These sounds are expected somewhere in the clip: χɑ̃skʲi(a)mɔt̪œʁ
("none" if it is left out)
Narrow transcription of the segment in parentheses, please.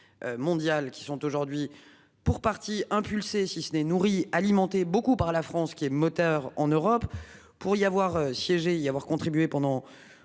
ɛ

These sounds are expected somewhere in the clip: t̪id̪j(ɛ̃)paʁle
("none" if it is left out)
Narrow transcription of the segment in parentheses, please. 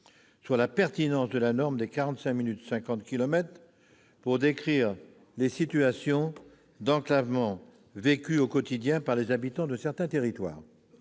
ɛ̃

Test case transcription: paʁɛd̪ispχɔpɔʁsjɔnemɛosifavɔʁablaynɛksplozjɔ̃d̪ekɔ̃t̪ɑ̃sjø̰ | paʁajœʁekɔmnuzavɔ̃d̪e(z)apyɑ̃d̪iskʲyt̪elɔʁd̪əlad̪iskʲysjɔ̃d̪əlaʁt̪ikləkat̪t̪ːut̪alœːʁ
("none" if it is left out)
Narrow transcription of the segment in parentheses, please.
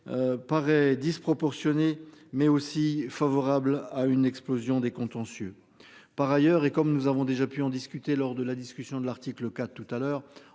ʒ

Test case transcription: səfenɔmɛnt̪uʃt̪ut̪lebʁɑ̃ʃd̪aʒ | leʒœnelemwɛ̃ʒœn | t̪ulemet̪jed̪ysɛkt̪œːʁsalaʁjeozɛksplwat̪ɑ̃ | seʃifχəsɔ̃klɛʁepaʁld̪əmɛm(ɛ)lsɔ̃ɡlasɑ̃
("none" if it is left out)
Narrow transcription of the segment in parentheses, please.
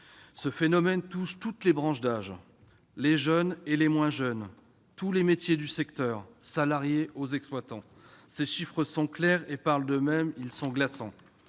i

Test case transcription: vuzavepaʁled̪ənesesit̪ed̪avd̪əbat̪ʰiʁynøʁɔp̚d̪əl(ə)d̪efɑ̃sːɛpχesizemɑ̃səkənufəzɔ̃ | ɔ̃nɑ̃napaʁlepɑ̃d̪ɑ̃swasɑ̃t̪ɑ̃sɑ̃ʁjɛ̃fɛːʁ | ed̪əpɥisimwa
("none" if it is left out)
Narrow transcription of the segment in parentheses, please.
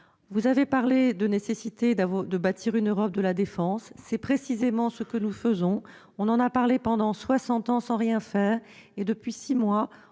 a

